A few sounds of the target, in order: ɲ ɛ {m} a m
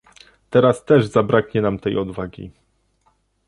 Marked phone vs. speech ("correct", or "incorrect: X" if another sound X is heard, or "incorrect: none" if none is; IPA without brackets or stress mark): incorrect: n